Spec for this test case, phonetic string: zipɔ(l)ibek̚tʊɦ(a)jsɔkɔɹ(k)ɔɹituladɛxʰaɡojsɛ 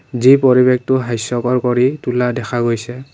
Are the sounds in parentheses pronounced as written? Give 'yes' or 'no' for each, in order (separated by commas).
no, yes, yes